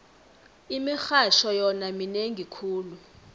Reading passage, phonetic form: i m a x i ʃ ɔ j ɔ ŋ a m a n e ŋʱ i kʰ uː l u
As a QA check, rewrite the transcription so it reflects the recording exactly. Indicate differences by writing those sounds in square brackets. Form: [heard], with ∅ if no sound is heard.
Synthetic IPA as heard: i m [i] x [a] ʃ ɔ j ɔ [n] a m [i] n e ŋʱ i kʰ uː l u